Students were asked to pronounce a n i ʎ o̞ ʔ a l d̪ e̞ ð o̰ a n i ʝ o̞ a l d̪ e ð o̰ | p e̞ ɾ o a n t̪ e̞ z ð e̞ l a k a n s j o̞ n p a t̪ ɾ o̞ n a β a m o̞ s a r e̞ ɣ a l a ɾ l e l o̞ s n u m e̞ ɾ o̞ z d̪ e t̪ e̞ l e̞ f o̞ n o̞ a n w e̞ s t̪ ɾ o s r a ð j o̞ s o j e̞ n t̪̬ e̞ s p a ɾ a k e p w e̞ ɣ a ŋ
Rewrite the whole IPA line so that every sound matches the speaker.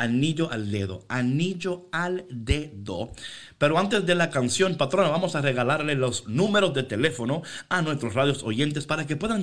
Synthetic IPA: a n i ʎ o̞ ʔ a l d̪ e̞ ð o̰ a n i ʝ o̞ a l d̪ e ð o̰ | p e̞ ɾ o a n t̪ e̞ z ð e̞ l a k a n s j o̞ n p a t̪ ɾ o̞ n a β a m o̞ s a r e̞ ɣ a l a ɾ l e l o̞ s n u m e̞ ɾ o̞ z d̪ e t̪ e̞ l e̞ f o̞ n o̞ a n w e̞ s t̪ ɾ o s r a ð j o̞ s o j e̞ n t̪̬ e̞ s p a ɾ a k e p w e̞ ð a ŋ